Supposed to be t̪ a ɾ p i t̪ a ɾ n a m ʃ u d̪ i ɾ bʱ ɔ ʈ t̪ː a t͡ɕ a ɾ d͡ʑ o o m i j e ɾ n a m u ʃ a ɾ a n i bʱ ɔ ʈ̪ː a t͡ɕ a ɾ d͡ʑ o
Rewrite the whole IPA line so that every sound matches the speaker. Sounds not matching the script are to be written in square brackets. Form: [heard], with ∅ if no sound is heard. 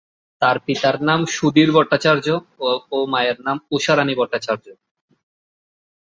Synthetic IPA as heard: t̪ a ɾ p i t̪ a ɾ n a m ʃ u d̪ i ɾ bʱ ɔ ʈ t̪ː a t͡ɕ a ɾ d͡ʑ o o m [a] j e ɾ n a m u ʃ a ɾ a n i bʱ ɔ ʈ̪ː a t͡ɕ a ɾ d͡ʑ o